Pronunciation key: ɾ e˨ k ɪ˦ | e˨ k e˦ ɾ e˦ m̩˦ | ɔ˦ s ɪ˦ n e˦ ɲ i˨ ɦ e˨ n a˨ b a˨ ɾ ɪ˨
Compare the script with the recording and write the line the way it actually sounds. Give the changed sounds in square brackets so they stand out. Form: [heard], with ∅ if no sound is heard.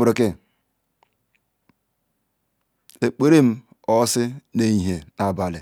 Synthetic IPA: ɾ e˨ k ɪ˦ | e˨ [k͡p] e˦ ɾ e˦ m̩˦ | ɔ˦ s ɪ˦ n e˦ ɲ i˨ ɦ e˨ n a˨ b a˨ [l] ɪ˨